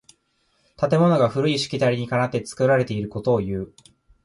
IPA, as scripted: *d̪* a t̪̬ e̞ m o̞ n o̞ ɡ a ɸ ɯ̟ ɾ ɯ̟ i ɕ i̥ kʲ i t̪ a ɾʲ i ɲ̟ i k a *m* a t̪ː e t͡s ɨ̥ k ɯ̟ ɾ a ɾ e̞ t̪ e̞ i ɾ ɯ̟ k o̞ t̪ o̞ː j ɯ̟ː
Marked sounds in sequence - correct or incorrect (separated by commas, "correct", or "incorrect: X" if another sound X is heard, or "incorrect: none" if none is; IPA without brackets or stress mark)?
incorrect: t̪, incorrect: n